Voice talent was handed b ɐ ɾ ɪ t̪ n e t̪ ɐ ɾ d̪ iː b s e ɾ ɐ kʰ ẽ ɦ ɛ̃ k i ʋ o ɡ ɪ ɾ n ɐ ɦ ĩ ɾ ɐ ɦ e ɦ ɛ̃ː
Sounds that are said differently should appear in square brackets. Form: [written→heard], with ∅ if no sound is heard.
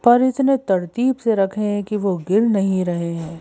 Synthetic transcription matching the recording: [b→p] ɐ ɾ ɪ t̪ n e t̪ ɐ ɾ [d̪→t̪] iː b s e ɾ ɐ kʰ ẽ ɦ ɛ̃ k i ʋ o ɡ ɪ ɾ n ɐ ɦ ĩ ɾ ɐ ɦ e ɦ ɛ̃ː